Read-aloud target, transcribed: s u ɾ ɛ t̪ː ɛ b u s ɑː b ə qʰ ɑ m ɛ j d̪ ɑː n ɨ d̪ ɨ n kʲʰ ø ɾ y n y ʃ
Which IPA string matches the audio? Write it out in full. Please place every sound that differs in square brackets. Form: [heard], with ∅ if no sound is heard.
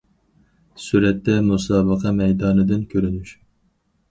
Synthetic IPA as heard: s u ɾ ɛ t̪ː ɛ [m] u s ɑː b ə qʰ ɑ m ɛ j d̪ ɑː n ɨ d̪ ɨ n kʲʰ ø ɾ y n y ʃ